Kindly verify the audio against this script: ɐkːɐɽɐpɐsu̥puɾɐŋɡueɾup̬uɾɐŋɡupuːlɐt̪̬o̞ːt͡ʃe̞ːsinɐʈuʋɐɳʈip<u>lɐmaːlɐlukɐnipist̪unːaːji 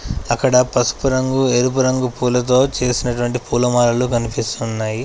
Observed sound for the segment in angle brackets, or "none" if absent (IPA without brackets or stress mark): uː